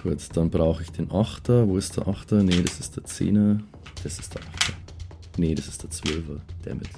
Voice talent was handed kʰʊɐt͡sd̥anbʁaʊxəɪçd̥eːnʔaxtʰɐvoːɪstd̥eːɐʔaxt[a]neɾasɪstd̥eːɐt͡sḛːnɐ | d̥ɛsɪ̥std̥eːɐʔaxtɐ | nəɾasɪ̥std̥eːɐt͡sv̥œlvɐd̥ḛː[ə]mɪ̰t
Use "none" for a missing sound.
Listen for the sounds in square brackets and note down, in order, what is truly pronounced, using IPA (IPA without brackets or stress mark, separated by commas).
ɐ, ɐ